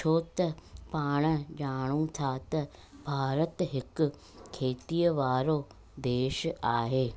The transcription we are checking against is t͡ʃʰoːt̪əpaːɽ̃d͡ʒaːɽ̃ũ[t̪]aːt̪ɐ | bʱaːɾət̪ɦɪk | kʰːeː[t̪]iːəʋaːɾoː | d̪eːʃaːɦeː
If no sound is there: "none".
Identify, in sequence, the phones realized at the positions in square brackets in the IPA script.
t̪ʰ, t̪

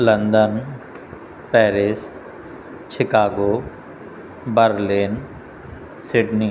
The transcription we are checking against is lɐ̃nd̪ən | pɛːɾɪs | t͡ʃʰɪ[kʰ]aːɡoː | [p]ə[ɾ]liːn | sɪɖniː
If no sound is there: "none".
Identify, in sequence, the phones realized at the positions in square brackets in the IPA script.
k, b, ɾ

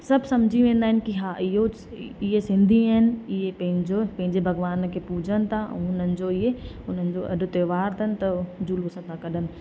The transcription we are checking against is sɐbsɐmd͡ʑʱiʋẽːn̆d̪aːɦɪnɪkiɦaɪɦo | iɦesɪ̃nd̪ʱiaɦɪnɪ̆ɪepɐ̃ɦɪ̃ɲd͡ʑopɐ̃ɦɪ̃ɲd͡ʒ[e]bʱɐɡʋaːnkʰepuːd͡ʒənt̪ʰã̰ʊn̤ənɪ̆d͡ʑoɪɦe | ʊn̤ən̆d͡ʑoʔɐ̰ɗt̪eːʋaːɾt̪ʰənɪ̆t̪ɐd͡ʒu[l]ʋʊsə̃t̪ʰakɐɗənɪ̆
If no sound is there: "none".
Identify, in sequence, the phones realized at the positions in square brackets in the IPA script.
e, l

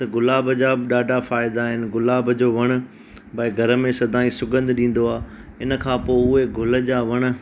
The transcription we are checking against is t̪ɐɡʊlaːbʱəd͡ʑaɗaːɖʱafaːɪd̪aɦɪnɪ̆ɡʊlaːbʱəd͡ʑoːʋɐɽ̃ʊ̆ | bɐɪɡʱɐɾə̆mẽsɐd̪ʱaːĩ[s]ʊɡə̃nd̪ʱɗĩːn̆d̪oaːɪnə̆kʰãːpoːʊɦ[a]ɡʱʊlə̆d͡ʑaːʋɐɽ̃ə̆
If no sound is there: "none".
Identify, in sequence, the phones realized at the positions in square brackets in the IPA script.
s, e

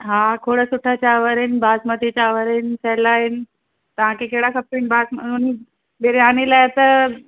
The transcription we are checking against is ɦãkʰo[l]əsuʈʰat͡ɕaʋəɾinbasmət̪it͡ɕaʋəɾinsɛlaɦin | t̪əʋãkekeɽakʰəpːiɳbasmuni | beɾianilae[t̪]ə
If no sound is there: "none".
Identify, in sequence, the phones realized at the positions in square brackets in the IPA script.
ɽ, t̪

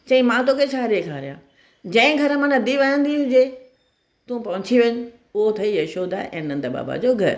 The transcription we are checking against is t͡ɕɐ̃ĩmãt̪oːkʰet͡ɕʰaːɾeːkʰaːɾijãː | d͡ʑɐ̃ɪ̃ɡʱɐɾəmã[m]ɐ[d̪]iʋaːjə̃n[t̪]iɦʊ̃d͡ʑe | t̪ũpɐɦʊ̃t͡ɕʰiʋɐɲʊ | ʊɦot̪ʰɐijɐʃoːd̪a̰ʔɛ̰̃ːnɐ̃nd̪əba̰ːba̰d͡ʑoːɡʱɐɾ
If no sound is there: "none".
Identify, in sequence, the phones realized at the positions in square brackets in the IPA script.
n, d̪, d̪

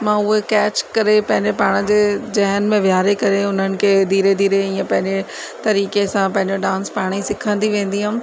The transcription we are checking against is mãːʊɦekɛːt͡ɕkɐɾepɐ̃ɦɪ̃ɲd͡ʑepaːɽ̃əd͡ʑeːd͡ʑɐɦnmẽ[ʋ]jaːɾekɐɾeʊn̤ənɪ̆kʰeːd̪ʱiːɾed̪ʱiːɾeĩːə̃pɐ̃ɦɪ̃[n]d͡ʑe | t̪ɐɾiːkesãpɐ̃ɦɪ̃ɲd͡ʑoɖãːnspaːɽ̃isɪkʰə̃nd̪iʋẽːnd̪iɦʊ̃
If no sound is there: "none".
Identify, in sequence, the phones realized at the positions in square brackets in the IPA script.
ʋ, ɲ

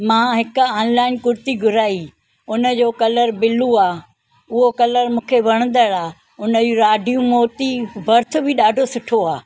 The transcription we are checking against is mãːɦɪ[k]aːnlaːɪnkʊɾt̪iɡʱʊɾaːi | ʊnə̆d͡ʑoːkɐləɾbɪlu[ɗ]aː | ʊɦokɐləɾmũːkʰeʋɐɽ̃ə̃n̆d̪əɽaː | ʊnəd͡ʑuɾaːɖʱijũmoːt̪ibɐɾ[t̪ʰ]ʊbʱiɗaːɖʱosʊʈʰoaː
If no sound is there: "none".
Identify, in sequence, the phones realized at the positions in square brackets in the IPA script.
k, none, t̪ʰ

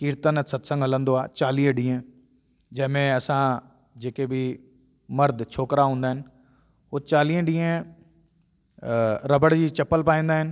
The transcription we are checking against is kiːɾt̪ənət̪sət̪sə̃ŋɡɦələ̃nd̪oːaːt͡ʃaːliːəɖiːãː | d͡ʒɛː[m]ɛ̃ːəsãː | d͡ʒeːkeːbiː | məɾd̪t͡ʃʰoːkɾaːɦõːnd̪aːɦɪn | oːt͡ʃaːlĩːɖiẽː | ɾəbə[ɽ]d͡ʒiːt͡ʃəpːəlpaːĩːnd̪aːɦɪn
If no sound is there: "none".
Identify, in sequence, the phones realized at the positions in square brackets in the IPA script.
m, ɽ

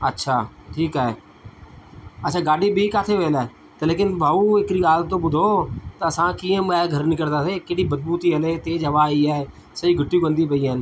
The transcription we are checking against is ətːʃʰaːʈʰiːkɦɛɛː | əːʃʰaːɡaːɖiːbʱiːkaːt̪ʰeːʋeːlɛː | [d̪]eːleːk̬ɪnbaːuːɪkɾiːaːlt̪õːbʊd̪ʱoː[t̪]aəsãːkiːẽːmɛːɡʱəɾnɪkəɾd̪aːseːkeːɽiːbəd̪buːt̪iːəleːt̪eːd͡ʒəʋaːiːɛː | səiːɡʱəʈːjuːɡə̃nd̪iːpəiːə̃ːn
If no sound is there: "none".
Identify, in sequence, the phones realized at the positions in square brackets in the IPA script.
t̪, t̪

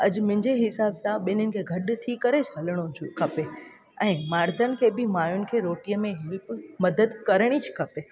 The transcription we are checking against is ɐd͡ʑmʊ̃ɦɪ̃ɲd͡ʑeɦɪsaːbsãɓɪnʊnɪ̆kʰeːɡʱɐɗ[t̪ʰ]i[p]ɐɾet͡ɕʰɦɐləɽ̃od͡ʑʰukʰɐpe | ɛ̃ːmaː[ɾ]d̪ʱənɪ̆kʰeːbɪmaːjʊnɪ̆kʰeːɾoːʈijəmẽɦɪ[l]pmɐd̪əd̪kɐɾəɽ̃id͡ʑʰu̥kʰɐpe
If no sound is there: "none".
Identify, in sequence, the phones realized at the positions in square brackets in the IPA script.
t̪ʰ, k, ɾ, l

